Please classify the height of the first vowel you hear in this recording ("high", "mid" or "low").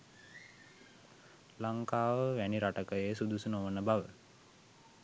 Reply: low